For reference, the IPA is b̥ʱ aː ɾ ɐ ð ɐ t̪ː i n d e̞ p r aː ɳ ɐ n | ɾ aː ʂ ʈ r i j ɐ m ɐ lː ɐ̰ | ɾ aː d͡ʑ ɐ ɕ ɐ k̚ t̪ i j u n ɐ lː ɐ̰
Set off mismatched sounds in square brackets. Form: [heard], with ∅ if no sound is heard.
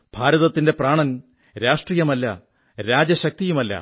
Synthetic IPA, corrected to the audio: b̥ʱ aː ɾ ɐ ð ɐ t̪ː i n d e̞ p r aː ɳ ɐ n | ɾ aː ʂ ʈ r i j ɐ m ɐ lː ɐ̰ | ɾ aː d͡ʑ ɐ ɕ ɐ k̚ t̪ i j u [m] ɐ lː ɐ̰